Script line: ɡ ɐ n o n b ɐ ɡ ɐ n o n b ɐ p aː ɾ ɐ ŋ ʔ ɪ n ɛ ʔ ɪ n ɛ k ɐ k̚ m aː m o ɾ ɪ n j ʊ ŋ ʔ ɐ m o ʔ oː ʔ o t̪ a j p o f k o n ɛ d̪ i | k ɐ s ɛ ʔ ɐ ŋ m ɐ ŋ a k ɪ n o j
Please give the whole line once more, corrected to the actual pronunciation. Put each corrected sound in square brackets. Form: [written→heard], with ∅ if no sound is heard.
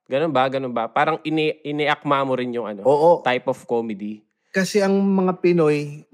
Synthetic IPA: ɡ ɐ n o n b ɐ ɡ ɐ n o n b ɐ p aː ɾ ɐ ŋ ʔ ɪ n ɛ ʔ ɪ n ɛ [k→ʔ] ɐ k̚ m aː m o ɾ ɪ n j ʊ ŋ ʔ ɐ [m→n] o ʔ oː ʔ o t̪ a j p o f k o [n→m] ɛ d̪ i | k ɐ s ɛ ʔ ɐ ŋ m ɐ ŋ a [k→p] ɪ n o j